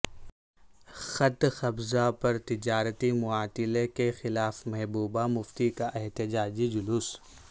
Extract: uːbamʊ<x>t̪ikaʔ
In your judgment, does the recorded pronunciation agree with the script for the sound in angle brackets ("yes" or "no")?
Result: no